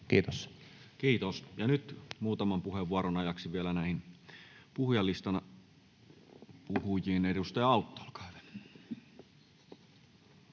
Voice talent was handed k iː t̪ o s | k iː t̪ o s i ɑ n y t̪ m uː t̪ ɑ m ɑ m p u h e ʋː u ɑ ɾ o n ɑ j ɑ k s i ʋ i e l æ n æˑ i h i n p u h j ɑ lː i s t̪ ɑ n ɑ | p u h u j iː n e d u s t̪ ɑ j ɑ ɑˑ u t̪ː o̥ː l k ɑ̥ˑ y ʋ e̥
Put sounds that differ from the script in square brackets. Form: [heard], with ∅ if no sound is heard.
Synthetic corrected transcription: k iː t̪ o s | k iː t̪ o s [j] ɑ n y t̪ m uː t̪ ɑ m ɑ m p u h e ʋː u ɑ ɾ o n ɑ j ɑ k s i ʋ i e l æ n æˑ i h i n p u h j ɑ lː i s t̪ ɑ n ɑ | p u h u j iː n e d u s t̪ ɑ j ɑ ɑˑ u t̪ː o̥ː l k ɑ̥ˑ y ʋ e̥